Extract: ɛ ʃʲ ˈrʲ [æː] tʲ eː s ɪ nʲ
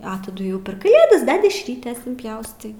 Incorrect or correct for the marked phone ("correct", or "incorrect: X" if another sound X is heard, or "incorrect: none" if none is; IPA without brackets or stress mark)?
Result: incorrect: iː